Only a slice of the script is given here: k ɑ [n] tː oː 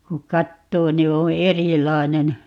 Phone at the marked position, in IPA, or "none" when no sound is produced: none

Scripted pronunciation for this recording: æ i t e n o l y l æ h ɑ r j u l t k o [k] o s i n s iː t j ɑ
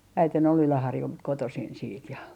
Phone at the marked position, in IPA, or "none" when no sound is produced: t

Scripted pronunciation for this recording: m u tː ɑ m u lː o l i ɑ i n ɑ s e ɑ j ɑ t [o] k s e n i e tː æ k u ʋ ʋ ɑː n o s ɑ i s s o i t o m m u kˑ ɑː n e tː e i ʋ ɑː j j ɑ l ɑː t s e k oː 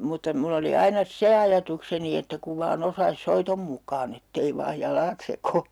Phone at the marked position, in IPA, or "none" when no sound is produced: u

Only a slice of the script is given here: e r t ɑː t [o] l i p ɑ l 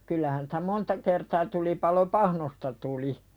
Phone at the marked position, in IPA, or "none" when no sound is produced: u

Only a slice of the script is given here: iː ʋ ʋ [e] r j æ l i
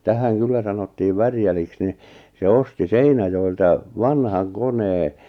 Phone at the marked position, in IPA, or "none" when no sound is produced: æ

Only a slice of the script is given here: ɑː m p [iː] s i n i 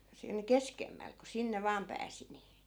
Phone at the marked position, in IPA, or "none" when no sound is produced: æː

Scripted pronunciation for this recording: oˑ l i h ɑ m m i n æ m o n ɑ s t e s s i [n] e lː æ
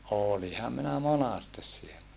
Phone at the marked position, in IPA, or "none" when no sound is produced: none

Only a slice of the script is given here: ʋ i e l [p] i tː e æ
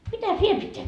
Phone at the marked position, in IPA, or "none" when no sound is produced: p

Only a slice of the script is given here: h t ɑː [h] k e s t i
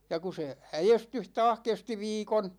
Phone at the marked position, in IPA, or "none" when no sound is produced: h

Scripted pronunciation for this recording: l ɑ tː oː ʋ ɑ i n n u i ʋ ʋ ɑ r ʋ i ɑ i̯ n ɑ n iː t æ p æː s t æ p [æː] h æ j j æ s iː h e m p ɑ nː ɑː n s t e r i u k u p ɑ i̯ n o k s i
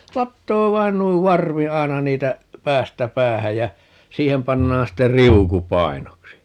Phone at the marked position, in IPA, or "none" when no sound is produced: æː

